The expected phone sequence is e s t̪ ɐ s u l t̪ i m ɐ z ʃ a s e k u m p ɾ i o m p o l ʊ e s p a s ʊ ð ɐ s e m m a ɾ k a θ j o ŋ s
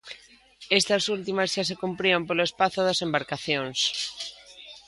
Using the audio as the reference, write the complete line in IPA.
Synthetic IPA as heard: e s t̪ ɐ s u l t̪ i m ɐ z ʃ a s e k u m p ɾ i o m p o l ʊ e s p a θ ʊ ð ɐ s e m b a ɾ k a θ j o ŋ s